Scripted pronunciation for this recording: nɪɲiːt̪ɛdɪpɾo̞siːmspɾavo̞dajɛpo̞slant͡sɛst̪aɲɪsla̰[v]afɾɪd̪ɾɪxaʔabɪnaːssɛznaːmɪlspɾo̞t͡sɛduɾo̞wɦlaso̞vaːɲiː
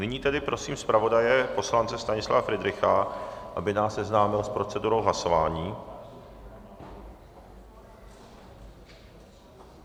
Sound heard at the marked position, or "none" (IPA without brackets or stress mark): v